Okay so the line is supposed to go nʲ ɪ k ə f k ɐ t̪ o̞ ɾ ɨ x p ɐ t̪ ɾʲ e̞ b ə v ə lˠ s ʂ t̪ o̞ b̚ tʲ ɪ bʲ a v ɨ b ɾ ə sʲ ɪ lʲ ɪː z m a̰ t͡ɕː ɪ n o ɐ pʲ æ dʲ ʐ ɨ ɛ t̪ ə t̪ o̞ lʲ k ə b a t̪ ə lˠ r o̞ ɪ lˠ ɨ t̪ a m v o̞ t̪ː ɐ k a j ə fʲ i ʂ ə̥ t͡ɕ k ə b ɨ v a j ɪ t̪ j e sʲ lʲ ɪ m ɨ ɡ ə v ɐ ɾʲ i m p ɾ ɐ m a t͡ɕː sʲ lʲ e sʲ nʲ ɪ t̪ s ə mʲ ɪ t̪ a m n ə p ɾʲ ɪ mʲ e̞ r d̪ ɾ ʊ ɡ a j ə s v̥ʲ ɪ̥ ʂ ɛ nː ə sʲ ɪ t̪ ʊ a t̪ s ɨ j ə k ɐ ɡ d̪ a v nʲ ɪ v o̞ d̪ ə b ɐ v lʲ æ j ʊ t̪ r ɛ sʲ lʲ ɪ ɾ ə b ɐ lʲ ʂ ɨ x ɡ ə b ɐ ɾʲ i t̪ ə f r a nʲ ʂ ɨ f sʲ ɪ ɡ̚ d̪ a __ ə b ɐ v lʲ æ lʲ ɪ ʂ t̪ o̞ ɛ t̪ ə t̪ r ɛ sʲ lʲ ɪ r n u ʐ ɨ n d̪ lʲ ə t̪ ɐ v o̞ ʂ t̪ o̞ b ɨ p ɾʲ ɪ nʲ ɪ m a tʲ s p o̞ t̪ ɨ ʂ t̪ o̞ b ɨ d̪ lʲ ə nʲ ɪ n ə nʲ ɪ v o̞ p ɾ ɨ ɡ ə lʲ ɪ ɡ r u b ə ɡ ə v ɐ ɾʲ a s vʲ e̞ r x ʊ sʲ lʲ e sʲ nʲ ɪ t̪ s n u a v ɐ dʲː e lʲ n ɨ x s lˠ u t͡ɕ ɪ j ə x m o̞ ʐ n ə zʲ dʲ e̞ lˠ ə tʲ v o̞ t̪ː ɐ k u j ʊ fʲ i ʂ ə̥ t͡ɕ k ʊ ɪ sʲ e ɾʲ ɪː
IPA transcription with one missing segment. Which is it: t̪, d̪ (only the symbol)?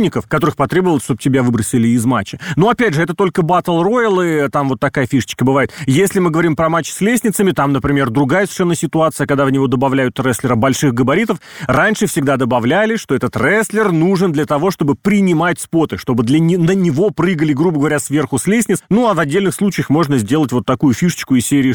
d̪